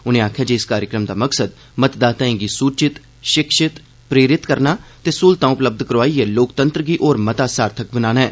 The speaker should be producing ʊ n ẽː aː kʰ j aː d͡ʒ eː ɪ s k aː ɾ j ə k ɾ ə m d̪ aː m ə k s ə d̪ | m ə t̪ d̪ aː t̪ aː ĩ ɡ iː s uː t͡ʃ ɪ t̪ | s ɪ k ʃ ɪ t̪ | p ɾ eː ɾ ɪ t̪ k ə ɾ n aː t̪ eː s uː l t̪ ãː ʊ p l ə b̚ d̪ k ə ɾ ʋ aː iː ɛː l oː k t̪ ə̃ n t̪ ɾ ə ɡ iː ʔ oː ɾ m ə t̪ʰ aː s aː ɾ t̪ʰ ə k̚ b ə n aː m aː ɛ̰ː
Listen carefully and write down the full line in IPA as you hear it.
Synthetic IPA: ʊ n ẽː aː kʰ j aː d͡ʒ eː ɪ s k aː ɾ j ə k ɾ ə m d̪ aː m ə k s ə d̪ | m ə t̪ d̪ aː t̪ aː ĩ ɡ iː s uː t͡ʃ ɪ t̪ | ʃ ɪ k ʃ ɪ t̪ | p ɾ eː ɾ ɪ t̪ k ə ɾ n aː t̪ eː s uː l t̪ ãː ʊ p l ə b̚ d̪ k ə ɾ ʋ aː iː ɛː l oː k t̪ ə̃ n t̪ ɾ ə ɡ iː ʔ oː ɾ m ə t̪ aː s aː ɾ t̪ʰ ə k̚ b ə n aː n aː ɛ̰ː